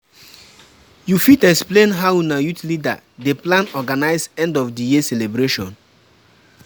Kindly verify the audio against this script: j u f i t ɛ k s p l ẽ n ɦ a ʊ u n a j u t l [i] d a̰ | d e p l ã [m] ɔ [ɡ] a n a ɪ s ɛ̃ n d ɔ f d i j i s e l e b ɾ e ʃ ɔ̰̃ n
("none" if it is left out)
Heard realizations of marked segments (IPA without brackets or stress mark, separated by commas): i, n, ɡ